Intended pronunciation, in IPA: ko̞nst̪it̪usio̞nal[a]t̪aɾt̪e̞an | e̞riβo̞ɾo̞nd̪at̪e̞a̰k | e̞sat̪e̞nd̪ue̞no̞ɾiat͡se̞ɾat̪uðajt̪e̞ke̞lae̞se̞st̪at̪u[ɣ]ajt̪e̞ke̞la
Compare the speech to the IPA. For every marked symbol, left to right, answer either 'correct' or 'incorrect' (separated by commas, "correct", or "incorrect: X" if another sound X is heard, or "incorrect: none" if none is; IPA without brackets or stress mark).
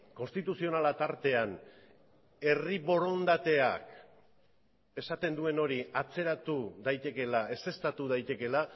correct, incorrect: ð